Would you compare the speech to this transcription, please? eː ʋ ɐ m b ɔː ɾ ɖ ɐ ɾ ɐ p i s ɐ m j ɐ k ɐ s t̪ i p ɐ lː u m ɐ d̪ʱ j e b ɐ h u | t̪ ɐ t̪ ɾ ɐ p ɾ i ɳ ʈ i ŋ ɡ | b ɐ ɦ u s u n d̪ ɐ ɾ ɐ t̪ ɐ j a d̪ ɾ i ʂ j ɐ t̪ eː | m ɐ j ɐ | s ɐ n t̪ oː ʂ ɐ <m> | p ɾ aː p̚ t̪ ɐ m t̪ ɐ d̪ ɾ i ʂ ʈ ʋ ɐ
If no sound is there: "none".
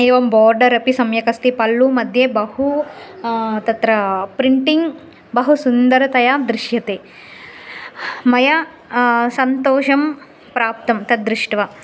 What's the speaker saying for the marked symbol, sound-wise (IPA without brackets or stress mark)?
m